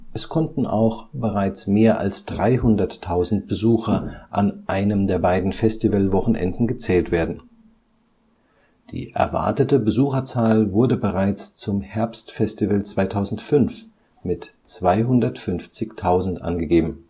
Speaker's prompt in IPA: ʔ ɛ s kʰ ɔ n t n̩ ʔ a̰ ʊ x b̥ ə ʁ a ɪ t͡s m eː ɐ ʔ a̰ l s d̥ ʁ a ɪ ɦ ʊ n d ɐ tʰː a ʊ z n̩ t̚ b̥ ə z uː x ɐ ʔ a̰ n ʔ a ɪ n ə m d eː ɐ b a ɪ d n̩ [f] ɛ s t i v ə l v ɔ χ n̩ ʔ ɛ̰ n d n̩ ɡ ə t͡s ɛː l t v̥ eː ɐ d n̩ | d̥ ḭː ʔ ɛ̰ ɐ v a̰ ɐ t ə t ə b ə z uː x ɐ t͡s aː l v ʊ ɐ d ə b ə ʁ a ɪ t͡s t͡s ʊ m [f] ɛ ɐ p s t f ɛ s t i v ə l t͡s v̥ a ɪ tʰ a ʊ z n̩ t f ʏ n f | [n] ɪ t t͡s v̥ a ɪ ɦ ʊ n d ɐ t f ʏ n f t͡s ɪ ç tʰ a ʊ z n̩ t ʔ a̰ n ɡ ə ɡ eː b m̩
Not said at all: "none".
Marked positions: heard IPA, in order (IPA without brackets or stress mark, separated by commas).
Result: f, h, m